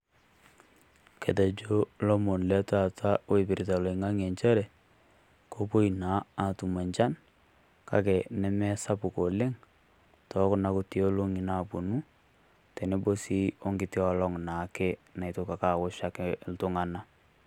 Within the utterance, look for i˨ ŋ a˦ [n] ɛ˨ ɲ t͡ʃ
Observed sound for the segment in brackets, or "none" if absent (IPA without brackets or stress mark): ŋ